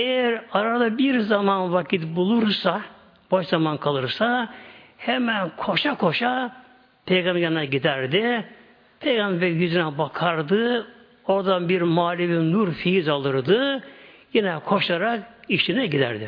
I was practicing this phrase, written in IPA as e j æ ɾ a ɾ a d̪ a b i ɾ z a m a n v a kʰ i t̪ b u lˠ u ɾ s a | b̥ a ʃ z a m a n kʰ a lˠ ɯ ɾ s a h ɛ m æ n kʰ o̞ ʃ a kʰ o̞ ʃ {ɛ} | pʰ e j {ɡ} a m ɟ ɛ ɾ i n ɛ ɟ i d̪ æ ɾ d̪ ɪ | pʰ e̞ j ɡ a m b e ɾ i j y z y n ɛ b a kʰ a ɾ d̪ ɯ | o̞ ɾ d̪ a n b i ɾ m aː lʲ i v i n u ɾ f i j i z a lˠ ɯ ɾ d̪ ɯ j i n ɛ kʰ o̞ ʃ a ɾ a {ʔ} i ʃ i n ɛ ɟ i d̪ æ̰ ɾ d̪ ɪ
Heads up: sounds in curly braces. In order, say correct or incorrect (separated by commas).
incorrect, correct, incorrect